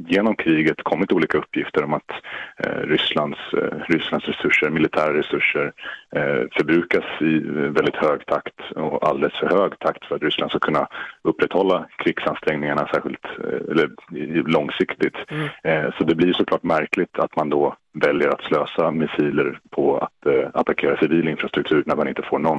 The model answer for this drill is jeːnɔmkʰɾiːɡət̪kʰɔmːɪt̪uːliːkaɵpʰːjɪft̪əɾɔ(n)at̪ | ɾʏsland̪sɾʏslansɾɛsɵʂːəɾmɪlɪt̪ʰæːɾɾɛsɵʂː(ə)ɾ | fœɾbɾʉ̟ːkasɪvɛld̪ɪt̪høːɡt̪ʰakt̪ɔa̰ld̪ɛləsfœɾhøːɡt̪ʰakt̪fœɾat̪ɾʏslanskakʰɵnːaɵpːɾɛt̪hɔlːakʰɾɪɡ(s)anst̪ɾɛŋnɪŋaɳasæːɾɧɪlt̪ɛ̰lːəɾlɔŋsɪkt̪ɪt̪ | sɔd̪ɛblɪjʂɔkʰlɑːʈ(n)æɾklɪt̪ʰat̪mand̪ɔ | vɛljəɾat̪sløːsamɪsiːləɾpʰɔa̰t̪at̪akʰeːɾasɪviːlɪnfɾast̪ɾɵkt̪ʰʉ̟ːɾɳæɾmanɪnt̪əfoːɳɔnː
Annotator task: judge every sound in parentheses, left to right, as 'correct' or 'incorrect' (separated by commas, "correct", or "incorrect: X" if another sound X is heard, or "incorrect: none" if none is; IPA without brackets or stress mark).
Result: incorrect: m, correct, correct, incorrect: m